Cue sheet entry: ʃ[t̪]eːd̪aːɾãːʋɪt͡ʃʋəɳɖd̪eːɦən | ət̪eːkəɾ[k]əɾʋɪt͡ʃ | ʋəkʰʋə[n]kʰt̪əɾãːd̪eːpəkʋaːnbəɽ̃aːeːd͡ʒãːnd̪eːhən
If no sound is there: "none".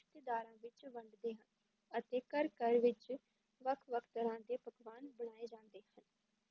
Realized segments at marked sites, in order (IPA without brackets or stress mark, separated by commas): t̪, k, none